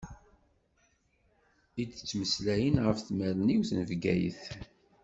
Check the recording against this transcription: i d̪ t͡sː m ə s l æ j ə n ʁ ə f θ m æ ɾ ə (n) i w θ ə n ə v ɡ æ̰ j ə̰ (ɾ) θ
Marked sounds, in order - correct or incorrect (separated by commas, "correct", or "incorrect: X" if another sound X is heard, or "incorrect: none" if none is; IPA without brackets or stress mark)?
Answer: correct, incorrect: none